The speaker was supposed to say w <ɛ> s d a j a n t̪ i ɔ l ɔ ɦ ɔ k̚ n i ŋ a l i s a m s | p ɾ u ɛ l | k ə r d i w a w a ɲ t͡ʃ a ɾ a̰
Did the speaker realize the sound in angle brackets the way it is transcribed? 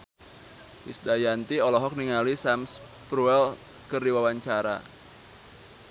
no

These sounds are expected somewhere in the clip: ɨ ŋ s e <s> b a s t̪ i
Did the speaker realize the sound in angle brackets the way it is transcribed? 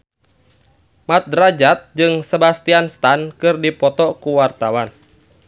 no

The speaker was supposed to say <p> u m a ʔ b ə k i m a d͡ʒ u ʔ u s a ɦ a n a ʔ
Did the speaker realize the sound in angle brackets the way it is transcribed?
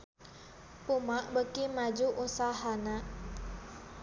yes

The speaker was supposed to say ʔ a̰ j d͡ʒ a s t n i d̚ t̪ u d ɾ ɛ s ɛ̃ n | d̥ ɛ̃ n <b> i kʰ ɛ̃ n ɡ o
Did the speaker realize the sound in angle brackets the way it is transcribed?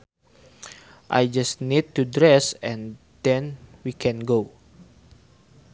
no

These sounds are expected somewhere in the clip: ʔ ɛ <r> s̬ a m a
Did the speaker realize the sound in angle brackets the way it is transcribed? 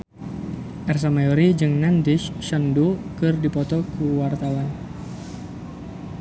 yes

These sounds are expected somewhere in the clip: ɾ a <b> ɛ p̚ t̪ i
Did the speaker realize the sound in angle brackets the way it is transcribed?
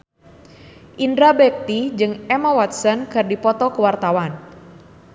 yes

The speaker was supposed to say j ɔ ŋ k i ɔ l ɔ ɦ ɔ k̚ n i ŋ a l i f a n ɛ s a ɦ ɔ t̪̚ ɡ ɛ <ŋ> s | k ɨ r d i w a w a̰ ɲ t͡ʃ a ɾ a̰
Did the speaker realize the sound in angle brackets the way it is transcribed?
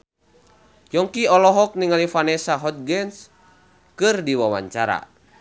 no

